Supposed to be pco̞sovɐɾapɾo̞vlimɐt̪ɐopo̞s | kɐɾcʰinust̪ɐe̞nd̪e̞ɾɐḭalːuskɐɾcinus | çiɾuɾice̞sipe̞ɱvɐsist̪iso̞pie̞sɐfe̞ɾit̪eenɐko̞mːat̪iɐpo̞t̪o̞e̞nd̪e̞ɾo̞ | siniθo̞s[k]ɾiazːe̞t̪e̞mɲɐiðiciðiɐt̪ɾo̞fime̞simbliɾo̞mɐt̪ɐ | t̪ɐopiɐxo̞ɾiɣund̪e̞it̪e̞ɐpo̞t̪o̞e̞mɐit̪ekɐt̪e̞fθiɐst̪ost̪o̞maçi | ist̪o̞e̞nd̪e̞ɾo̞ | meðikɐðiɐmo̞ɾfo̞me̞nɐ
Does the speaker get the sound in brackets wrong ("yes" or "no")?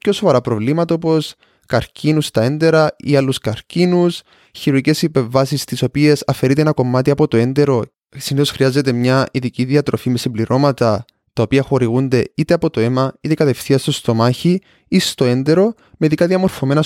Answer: yes